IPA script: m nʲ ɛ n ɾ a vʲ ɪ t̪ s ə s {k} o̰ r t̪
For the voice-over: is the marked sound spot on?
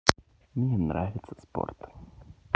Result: no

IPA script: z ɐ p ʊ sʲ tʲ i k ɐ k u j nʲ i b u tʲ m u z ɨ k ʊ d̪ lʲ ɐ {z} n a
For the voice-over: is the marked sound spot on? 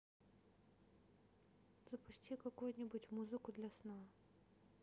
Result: no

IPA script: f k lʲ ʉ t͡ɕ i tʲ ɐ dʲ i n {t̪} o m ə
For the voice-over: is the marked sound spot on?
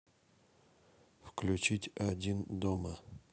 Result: no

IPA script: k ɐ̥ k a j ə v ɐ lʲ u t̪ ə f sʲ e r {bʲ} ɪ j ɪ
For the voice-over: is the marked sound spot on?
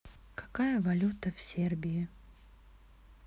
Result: yes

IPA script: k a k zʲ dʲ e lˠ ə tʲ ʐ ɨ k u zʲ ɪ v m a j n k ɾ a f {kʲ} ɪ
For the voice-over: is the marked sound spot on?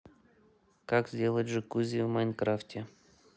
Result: no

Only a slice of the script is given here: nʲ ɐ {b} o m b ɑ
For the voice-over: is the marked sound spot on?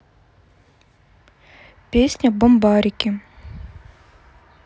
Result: yes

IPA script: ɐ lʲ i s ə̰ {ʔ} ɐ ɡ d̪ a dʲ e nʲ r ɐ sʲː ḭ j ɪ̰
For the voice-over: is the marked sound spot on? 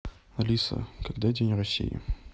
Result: no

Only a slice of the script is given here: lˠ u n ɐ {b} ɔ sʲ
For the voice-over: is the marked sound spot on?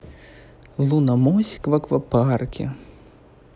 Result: no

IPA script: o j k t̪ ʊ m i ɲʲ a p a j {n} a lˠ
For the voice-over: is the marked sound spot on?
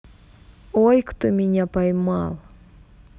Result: no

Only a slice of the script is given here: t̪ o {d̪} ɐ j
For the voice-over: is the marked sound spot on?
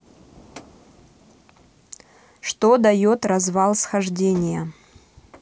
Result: yes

